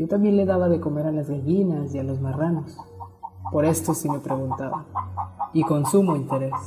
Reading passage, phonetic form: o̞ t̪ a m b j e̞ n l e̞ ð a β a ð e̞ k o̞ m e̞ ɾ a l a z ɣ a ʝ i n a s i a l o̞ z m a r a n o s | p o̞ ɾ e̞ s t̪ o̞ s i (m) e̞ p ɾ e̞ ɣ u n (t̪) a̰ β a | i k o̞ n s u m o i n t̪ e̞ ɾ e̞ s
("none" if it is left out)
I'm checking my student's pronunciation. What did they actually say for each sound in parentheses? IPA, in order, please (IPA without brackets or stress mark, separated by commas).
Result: m, t̪